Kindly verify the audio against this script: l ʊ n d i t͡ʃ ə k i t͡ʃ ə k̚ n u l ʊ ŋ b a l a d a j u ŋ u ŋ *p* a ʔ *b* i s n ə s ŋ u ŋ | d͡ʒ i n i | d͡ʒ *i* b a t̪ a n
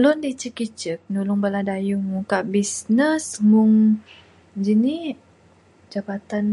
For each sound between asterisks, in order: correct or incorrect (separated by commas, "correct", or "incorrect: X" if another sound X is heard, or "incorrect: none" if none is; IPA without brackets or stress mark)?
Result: incorrect: k, correct, incorrect: a